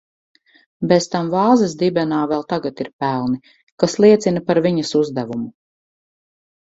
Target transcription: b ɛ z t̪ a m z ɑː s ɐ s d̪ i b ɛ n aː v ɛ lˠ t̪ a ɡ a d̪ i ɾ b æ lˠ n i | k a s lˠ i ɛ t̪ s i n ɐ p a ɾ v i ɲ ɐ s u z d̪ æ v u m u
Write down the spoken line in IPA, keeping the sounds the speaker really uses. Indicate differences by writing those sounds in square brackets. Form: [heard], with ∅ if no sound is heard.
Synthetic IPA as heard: b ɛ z t̪ a m [v] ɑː [z] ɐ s d̪ i b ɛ n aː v ɛ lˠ t̪ a ɡ a [t̪] i ɾ [p] æ lˠ n i | k a s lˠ i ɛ t̪ s i n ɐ p a ɾ v i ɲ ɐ s u z d̪ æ v u m u